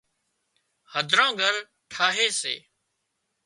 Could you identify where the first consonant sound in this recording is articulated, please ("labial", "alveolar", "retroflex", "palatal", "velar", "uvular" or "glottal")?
glottal